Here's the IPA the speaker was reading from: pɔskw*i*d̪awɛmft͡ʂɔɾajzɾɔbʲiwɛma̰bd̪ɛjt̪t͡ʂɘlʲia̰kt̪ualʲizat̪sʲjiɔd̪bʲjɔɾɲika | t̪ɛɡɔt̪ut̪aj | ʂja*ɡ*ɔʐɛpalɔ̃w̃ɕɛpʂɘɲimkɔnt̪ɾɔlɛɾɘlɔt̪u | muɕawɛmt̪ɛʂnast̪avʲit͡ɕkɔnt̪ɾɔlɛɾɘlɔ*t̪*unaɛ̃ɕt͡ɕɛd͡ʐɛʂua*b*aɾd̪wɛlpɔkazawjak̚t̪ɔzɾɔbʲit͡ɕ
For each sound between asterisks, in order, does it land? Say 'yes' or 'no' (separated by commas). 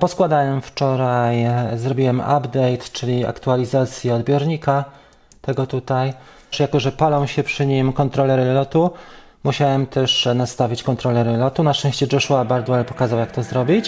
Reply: no, no, yes, yes